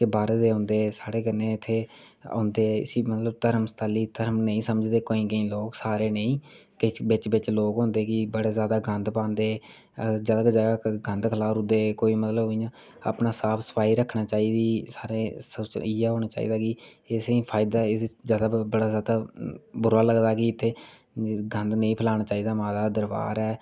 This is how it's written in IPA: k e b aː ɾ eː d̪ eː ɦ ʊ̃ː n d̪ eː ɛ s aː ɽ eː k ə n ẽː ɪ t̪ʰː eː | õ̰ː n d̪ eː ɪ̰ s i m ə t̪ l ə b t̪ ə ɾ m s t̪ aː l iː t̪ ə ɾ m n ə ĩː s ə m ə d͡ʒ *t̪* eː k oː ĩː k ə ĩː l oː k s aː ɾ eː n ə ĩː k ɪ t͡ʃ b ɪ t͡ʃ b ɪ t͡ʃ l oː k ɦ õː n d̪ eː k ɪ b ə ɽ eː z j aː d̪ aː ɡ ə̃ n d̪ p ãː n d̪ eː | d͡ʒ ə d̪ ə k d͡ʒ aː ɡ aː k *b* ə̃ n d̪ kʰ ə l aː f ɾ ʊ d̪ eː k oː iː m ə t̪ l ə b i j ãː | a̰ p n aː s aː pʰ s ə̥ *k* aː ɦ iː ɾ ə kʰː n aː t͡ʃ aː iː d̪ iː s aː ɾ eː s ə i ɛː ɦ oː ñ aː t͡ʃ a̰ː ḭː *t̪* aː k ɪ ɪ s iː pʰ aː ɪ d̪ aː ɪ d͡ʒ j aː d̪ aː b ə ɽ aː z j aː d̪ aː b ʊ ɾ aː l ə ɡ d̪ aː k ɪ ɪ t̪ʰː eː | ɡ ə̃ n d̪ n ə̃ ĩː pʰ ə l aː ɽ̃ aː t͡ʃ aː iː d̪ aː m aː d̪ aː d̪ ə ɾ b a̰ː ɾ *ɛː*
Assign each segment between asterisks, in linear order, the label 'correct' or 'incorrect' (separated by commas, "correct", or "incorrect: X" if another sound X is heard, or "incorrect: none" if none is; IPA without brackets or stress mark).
incorrect: d̪, incorrect: ɡ, incorrect: p, incorrect: d̪, correct